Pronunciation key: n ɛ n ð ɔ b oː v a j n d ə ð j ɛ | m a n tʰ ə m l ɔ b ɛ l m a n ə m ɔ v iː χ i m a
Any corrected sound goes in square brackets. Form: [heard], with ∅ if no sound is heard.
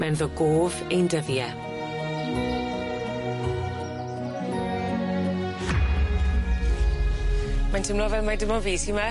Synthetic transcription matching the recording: [m] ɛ n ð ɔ [ɡ] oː v [e] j n d ə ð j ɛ | m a n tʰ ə m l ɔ [v] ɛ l m a [d] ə m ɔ v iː [s] i m a